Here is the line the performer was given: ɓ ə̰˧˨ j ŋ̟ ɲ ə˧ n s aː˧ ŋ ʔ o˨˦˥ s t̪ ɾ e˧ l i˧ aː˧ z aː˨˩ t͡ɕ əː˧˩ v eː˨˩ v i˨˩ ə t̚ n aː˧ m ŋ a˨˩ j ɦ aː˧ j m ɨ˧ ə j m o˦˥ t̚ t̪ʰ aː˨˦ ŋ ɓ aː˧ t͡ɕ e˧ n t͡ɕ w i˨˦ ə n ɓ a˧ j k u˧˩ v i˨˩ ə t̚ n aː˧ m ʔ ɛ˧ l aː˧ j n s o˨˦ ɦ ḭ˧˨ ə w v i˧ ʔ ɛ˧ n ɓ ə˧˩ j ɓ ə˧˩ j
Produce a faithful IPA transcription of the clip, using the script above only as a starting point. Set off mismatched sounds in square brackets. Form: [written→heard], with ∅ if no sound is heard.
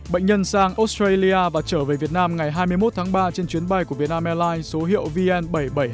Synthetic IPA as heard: ɓ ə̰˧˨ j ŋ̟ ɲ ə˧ n s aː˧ ŋ ʔ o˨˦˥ s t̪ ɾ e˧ l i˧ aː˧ [z→v] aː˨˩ t͡ɕ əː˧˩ v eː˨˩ v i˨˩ ə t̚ n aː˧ m ŋ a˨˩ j ɦ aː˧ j m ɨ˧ ə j m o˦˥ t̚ t̪ʰ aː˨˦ ŋ ɓ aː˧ t͡ɕ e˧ n t͡ɕ w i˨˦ ə n ɓ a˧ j k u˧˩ v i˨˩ ə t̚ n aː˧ m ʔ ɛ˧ l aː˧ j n s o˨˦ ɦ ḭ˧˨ ə w v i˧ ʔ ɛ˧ n ɓ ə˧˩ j ɓ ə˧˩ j